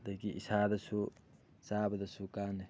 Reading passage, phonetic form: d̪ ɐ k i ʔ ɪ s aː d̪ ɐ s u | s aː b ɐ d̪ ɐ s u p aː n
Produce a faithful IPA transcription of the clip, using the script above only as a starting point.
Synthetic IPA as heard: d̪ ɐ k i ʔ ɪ s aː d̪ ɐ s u | s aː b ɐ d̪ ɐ s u k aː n